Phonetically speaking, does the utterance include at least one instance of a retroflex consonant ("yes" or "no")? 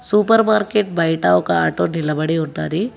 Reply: yes